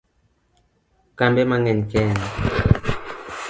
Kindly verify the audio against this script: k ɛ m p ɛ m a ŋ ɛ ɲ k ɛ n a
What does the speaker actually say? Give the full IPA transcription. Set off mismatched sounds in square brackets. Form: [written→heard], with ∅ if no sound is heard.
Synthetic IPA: k [ɛ→a] m [p→b] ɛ m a ŋ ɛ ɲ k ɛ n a